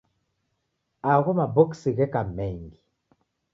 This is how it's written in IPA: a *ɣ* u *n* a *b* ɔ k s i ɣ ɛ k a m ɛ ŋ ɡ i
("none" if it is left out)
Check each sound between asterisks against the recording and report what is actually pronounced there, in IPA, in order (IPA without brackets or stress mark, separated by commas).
ɣ, m, b